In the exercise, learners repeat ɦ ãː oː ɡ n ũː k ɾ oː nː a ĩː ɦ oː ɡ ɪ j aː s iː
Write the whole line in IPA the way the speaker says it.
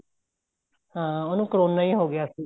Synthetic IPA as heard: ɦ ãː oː n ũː k ɾ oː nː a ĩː ɦ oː ɡ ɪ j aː s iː